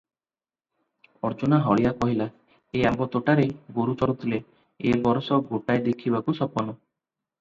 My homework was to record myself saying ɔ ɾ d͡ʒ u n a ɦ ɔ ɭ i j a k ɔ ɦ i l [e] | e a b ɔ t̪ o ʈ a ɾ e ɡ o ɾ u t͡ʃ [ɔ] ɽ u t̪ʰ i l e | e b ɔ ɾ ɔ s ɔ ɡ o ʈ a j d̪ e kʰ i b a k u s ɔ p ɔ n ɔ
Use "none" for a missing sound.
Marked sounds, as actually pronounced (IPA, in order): a, ɔ

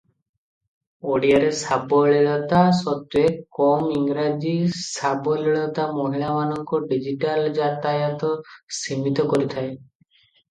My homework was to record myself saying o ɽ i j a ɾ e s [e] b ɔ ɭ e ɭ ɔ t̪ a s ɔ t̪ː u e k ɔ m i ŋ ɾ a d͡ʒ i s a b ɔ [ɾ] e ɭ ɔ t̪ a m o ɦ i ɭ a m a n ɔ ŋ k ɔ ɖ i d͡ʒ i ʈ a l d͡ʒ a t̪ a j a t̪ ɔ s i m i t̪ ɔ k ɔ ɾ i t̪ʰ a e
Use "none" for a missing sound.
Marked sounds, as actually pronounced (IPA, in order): a, l

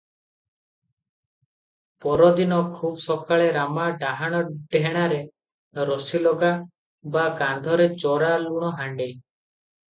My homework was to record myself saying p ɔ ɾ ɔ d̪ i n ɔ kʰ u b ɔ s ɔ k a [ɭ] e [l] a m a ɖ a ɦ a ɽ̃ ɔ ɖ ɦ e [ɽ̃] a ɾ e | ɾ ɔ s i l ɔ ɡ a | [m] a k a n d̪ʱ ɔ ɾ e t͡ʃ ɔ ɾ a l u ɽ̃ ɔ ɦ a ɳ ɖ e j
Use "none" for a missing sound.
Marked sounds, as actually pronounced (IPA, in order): ɭ, ɾ, ɽ̃, b

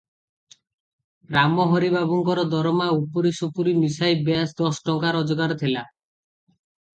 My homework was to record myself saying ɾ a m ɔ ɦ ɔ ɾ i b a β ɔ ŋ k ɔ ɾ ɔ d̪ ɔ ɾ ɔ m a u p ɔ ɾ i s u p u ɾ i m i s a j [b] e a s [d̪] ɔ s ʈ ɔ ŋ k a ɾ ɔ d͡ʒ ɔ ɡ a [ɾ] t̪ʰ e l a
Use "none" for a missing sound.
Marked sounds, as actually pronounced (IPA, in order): b, d̪, ɾ

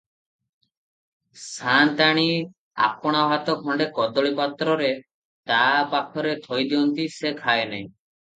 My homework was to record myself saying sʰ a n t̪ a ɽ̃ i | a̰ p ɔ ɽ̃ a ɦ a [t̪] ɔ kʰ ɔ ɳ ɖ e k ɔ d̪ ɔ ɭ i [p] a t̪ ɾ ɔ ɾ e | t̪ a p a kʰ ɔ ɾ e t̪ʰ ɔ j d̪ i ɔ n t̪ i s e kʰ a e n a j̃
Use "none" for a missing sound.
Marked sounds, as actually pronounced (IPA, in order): t̪, p

